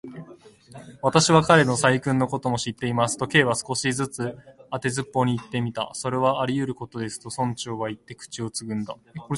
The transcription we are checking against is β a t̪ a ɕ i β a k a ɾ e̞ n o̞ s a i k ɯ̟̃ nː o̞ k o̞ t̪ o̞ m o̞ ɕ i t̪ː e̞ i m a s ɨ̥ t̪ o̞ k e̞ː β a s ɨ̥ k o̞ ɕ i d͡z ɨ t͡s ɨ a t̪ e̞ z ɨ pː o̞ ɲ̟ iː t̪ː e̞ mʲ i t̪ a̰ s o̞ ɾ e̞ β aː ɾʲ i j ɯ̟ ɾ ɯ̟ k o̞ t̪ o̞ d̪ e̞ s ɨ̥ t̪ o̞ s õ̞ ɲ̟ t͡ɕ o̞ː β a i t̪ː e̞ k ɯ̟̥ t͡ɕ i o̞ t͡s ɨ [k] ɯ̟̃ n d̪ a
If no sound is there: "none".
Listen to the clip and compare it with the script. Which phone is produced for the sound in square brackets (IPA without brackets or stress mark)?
ɡ